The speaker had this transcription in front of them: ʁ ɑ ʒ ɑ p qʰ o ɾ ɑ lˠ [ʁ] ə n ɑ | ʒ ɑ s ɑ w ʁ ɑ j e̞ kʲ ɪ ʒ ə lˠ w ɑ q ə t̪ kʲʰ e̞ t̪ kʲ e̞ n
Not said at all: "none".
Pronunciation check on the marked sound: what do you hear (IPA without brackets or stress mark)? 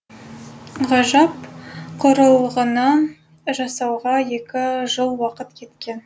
ʁ